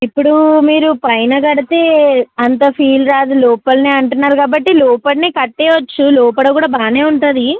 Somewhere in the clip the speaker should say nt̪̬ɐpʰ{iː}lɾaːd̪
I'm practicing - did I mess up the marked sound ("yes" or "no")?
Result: no